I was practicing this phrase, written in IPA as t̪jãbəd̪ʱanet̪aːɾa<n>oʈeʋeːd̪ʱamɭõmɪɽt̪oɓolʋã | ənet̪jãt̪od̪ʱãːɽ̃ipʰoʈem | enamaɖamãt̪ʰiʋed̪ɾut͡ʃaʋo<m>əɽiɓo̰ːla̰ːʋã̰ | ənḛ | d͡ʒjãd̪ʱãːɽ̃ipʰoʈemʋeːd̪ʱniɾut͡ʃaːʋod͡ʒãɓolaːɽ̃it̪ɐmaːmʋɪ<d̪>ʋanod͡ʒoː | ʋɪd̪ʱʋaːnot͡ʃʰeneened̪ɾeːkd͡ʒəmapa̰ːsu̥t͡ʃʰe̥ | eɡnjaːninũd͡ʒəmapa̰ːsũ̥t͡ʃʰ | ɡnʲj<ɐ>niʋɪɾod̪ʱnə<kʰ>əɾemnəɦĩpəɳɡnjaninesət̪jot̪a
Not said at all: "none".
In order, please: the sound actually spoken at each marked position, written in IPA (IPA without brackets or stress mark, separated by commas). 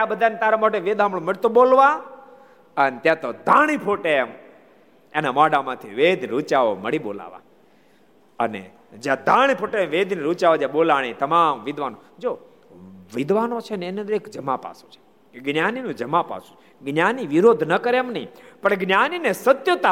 m, m, d̪, a, k